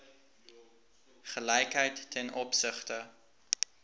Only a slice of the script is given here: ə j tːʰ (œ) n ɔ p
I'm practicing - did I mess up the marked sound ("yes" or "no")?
yes